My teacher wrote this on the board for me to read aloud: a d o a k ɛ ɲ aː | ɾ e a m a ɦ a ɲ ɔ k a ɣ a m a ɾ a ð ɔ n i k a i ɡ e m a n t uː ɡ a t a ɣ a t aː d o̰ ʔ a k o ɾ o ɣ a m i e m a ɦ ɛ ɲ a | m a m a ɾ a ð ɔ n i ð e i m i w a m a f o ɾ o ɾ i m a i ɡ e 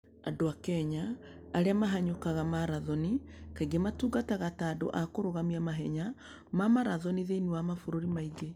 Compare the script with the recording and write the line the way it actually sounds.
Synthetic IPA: a d o a k ɛ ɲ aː | ɾ e a m a ɦ a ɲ o k a ɣ a m a ɾ a ð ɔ n i k a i ɡ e m a t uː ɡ a t a ɣ a t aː d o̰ ʔ a k o ɾ o ɣ a m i a m a ɦ ɛ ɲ a | m a m a ɾ a ð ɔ n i ð e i n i w a m a f o ɾ o ɾ i m a i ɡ e